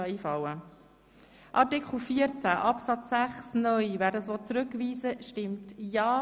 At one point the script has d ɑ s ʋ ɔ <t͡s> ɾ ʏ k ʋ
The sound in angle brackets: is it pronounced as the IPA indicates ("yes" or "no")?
yes